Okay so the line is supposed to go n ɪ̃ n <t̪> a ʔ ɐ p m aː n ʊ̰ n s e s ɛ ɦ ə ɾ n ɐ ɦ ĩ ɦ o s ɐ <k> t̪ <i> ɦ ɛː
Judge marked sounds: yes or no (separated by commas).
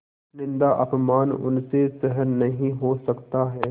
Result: no, yes, no